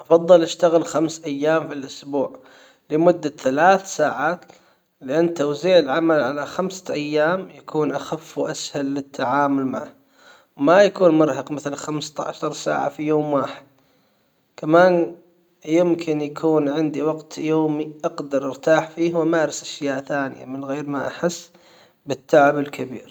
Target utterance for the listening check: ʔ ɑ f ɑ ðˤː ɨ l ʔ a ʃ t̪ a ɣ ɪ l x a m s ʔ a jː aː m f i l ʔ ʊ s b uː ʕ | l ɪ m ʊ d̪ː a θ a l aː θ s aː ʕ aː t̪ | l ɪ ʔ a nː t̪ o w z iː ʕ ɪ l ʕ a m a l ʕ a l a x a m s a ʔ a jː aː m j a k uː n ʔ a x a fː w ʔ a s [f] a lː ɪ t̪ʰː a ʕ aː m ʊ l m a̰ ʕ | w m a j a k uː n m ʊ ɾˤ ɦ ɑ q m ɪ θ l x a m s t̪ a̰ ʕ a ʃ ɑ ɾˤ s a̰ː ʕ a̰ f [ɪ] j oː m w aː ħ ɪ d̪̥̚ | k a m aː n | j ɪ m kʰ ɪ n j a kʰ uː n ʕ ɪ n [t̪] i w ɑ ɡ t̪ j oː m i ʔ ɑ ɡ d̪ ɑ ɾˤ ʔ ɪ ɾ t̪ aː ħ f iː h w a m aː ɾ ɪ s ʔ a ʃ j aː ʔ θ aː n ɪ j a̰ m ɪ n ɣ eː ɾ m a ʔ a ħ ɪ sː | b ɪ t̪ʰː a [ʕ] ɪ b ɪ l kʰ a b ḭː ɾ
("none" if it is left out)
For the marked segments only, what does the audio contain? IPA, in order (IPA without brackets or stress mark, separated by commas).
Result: h, i, d̪, ʕ